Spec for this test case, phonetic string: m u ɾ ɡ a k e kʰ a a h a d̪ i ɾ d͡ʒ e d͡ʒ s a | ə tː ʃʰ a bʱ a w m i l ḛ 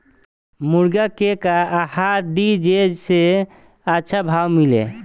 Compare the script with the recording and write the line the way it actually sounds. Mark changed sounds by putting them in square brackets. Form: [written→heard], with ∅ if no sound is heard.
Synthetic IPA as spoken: m u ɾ ɡ a k e [kʰ→k] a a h a d̪ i [ɾ→∅] d͡ʒ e d͡ʒ s [a→e] | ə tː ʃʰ a bʱ a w m i l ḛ